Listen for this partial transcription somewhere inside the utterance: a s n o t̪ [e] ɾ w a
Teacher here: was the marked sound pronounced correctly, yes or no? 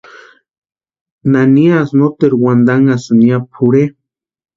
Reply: yes